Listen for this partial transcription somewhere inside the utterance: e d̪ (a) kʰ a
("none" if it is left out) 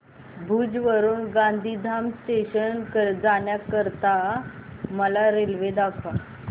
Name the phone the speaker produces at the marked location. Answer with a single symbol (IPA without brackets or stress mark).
a